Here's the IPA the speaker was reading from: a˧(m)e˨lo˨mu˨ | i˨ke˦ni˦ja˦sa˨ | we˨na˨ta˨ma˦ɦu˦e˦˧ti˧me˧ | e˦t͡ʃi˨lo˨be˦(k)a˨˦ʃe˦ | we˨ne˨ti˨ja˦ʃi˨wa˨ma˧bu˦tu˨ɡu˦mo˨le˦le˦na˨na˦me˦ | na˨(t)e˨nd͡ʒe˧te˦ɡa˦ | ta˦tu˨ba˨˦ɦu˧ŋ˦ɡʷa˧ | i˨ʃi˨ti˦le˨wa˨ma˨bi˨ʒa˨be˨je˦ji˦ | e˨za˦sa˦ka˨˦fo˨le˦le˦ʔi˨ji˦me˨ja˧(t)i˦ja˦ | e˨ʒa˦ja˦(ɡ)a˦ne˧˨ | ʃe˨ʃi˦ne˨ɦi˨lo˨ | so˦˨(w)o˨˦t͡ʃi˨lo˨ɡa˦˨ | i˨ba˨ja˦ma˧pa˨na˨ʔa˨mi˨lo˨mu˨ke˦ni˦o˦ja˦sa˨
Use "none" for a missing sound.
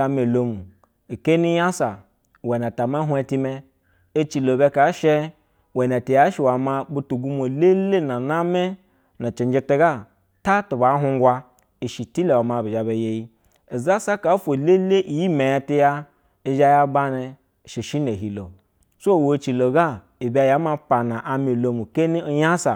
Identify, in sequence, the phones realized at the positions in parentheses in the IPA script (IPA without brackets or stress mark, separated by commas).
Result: m, k, t͡ʃ, t, b, w